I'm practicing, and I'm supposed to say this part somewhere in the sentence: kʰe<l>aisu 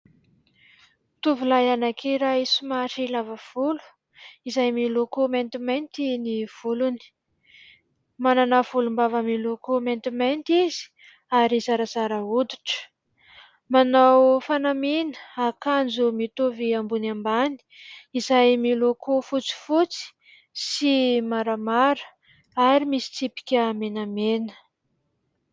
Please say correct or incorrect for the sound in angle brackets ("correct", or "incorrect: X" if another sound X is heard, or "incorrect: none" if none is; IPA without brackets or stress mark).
incorrect: ɾ